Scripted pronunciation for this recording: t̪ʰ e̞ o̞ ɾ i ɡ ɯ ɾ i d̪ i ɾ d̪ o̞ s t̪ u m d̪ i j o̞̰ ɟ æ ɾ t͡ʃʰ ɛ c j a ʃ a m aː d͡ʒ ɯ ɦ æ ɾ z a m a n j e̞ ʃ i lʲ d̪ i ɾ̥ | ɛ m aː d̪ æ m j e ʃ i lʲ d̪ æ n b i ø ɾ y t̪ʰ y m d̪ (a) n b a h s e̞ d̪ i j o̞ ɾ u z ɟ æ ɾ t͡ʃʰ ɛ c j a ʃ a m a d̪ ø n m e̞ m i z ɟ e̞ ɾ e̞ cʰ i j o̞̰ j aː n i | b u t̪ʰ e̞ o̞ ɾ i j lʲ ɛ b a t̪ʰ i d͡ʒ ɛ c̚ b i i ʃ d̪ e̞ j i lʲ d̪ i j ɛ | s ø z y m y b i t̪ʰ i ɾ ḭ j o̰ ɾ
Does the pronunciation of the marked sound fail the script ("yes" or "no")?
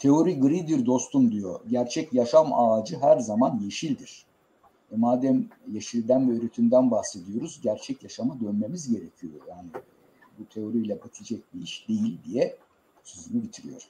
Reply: yes